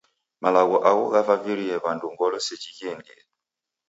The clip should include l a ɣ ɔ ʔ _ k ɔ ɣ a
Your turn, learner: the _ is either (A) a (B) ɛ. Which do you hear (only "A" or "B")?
A